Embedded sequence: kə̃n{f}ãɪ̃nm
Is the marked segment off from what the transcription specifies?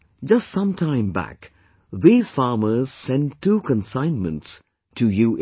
yes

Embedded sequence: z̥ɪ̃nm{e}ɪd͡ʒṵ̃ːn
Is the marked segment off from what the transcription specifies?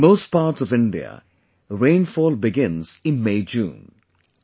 no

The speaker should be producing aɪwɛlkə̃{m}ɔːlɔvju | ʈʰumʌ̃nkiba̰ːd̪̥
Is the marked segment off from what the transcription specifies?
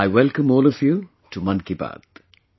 no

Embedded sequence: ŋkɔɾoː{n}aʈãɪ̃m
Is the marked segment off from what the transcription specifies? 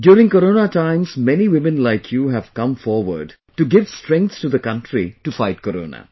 no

